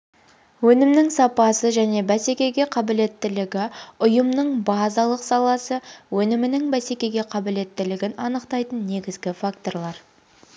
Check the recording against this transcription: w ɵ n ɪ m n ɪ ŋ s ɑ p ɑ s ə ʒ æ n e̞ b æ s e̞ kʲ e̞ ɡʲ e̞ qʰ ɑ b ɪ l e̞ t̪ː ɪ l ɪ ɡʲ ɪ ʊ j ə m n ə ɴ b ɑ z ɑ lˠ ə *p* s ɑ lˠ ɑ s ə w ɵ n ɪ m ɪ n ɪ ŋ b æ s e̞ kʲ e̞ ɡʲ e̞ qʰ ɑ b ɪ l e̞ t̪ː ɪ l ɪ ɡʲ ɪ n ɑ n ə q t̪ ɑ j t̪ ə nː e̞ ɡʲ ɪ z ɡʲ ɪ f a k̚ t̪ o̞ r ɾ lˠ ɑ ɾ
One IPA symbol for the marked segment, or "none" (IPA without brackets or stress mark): q